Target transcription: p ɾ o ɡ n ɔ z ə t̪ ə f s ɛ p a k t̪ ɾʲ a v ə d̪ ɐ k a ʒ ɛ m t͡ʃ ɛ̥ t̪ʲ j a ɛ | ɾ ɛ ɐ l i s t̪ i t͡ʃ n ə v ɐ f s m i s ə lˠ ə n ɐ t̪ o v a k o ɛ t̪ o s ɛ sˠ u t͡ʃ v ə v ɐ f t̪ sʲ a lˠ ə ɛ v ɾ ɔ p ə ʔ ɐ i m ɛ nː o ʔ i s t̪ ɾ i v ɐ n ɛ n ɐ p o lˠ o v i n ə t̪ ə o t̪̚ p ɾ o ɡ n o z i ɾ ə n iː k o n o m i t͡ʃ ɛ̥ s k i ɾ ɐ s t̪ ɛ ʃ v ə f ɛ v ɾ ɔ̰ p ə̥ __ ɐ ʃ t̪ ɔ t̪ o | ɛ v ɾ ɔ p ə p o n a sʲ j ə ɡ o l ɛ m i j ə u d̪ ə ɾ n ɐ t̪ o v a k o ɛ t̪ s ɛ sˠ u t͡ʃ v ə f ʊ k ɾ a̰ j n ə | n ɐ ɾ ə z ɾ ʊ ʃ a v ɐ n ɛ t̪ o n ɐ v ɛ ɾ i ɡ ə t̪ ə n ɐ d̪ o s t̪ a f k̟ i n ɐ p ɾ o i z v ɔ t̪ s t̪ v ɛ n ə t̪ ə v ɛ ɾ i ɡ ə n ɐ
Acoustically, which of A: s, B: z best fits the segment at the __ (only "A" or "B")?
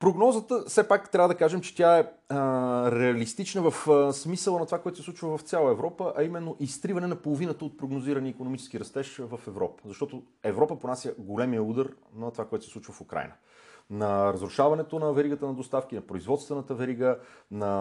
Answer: B